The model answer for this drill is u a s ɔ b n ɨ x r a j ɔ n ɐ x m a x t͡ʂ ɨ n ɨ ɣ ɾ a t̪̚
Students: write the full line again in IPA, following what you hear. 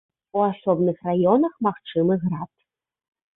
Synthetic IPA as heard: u a s ɔ b n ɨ x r a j ɔ n ɐ x m a x t͡ʂ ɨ m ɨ ɣ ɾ a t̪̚